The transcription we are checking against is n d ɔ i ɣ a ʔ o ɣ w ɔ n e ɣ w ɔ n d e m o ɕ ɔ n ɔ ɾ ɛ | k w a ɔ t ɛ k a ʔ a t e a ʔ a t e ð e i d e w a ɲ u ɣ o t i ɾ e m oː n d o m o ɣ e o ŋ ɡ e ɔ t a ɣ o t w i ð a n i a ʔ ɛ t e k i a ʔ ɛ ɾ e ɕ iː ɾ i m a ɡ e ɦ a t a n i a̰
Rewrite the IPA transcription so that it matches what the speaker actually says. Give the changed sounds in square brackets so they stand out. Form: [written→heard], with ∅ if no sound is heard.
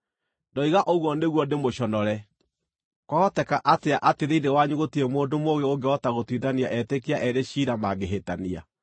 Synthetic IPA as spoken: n d ɔ i ɣ a ʔ o ɣ w ɔ n e ɣ w ɔ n d e m o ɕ ɔ n ɔ ɾ ɛ | k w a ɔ t ɛ k a ʔ a t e a ʔ a t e ð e i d e w a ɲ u ɣ o t i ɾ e m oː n d o m o ɣ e o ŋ ɡ e ɔ t a ɣ o t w i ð a n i a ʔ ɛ t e k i a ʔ ɛ ɾ e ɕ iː ɾ [i→a] m a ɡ e ɦ [a→e] t a n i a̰

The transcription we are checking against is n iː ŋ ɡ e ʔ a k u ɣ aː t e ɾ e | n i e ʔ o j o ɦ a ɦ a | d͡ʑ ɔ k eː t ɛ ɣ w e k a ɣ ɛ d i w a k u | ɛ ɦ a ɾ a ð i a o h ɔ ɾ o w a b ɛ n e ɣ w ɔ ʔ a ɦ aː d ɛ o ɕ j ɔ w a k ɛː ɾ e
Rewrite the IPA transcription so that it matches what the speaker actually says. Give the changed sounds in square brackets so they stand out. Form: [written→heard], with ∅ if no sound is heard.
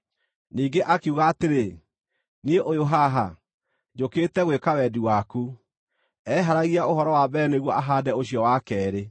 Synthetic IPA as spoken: n iː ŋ ɡ e ʔ a k u ɣ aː t e ɾ e | n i e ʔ o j o ɦ a ɦ a | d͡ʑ [ɔ→o] k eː t ɛ ɣ w e k a [ɣ→w] ɛ d i w a k u | ɛ ɦ a ɾ a [ð→ɣ] i a o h ɔ ɾ [o→ɔ] w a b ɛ n e ɣ w ɔ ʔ a ɦ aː d ɛ o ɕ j ɔ w a k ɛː ɾ e

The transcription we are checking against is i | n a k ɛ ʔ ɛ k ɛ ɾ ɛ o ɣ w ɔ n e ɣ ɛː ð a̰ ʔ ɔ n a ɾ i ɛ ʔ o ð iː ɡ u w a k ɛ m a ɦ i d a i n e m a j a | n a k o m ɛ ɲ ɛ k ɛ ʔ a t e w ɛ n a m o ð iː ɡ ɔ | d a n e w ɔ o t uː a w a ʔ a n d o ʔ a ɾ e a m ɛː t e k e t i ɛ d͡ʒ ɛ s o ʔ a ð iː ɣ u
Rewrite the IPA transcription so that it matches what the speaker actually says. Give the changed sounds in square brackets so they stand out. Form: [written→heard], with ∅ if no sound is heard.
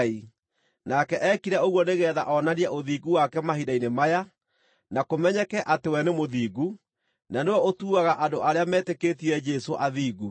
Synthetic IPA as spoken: i | n a k ɛ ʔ ɛ k [ɛ→i] ɾ ɛ o ɣ w ɔ n e ɣ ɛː ð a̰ ʔ ɔ n a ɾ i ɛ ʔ o ð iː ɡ u w a k ɛ m a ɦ i d a i n e m a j a | n a k o m ɛ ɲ ɛ k ɛ ʔ a t e w ɛ n [a→e] m o ð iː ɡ [ɔ→u] | [d→n] a n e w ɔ o t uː a [w→ɣ] a ʔ a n d o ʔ a ɾ e a m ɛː t e k e t i ɛ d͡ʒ ɛ s o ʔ a ð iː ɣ u

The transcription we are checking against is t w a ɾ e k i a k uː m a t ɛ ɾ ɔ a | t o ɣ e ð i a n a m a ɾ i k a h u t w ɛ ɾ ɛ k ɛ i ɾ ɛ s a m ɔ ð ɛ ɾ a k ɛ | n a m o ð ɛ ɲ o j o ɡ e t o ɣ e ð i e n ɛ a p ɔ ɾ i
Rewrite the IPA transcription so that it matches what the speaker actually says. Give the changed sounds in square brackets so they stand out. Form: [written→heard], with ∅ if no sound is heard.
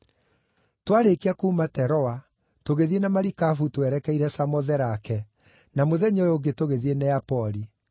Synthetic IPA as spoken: t w a ɾ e k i a k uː m a t ɛ ɾ ɔ a | t o ɣ e ð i [a→e] n a m a ɾ i k a [h→f] u t w ɛ ɾ ɛ k ɛ i ɾ ɛ s a m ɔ ð ɛ ɾ a k ɛ | n a m o ð ɛ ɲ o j o ɡ e t o ɣ e ð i e n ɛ a p ɔ ɾ i

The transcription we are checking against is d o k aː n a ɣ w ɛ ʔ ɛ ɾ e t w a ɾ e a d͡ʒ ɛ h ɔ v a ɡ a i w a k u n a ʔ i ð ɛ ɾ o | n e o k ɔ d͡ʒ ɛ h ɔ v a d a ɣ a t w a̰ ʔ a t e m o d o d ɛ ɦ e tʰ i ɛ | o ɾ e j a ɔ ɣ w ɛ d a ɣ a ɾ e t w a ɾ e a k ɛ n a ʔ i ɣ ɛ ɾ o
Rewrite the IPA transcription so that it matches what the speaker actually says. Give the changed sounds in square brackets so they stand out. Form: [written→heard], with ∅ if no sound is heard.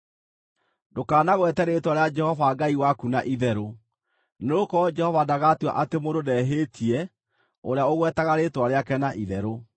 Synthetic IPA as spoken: d o k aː n a ɣ w ɛ [ʔ→t] ɛ ɾ e t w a ɾ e a d͡ʒ ɛ h ɔ v a ɡ a i w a k u n a ʔ i ð ɛ ɾ o | n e o k ɔ d͡ʒ ɛ h ɔ v a d a ɣ a t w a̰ ʔ a t e m o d o d ɛ ɦ e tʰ i ɛ | o ɾ e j a [ɔ→o] ɣ w ɛ [d→t] a ɣ a ɾ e t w a ɾ e a k ɛ n a ʔ i [ɣ→ð] ɛ ɾ o

